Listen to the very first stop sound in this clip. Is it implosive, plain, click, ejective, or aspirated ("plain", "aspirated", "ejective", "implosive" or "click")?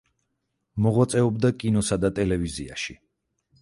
plain